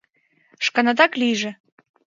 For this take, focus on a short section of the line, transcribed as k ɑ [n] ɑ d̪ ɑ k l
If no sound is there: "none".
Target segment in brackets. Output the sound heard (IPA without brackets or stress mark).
n